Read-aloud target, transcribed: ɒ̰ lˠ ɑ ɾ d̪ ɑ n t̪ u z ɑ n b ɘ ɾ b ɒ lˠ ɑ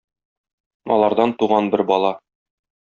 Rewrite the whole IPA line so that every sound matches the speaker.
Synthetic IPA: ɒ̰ lˠ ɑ ɾ d̪ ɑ n t̪ u ʁ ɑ n b ɘ ɾ b ɒ lˠ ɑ

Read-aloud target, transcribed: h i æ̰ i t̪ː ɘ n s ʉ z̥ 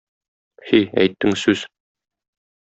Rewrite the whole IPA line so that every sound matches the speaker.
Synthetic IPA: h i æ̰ j t̪ː ɘ ŋ s ʉ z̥

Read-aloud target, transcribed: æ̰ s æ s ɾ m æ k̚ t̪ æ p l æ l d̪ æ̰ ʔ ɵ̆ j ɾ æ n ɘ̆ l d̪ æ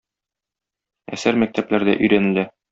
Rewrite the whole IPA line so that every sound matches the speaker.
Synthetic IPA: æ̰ s æ ɾ m æ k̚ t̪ æ p l æ ɾ d̪ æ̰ ʔ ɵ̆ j ɾ æ n ɘ̆ l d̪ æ

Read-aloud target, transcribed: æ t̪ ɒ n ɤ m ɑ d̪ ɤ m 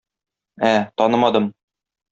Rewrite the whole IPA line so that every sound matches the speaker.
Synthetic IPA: æ t̪ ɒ n ɤ m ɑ d̪ ɤ m

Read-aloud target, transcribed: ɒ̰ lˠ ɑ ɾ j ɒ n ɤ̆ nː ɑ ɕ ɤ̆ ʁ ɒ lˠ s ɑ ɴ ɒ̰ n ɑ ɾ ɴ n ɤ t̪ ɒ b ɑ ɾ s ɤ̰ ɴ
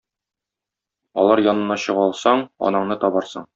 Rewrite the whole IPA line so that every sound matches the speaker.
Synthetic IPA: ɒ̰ lˠ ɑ ɾ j ɒ n ɤ̆ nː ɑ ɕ ɤ̆ ʁ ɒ lˠ s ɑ ɴ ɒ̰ n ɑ ɴ n ɤ t̪ ɒ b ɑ ɾ s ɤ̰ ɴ

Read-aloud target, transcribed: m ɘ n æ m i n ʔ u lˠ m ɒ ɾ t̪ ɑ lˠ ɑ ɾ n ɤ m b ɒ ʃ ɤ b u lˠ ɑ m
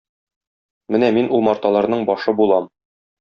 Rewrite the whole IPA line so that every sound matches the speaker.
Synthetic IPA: m ɘ n æ m i n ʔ u lˠ m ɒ ɾ t̪ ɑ lˠ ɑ ɾ n ɤ ɴ b ɒ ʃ ɤ b u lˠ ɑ m

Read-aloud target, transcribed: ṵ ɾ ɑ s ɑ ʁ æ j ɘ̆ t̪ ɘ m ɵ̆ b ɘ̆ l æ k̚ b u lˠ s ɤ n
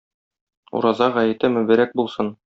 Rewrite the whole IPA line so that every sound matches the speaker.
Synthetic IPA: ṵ ɾ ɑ z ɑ ʁ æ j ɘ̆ t̪ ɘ m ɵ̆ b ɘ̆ ɾ æ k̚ b u lˠ s ɤ n

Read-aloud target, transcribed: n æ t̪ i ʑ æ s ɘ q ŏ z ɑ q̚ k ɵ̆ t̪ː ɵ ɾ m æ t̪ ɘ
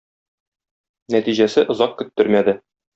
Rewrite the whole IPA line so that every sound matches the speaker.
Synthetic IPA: n æ t̪ i ʑ æ s ɘ ʔ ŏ z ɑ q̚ k ɵ̆ t̪ː ɵ ɾ m æ d̪ ɘ

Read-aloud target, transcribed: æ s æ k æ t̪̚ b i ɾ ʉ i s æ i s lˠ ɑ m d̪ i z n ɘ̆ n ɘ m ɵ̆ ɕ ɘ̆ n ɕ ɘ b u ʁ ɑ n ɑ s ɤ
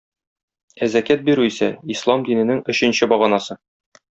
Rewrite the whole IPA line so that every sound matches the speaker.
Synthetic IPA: æ z æ k æ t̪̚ b i ɾ ʉ i s æ i s lˠ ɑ m d̪ i n ɘ̆ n ɘ ŋ ɵ̆ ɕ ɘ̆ n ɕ ɘ b ɒ ʁ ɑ n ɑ s ɤ

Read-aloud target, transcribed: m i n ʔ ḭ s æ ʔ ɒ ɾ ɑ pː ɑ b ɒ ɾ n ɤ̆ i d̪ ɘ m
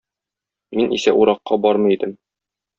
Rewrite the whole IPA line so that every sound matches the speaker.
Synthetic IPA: m i n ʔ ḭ s æ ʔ u ɾ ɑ qː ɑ b ɒ ɾ m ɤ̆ i d̪ ɘ m

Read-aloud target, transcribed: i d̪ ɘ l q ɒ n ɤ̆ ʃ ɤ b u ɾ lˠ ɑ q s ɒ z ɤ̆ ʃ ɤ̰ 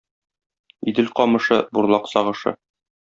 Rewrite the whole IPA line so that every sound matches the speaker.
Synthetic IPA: i d̪ ɘ l q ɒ m ɤ̆ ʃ ɤ b u ɾ lˠ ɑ q s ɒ ʁ ɤ̆ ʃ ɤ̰

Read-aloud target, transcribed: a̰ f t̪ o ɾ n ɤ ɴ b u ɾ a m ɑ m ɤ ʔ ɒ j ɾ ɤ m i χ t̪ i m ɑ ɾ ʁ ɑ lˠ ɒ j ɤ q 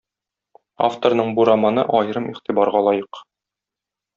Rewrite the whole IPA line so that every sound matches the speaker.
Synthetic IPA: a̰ f t̪ o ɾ n ɤ ɴ b u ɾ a m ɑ n ɤ ʔ ɒ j ɾ ɤ m i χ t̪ i b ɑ ɾ ʁ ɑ lˠ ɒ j ɤ q

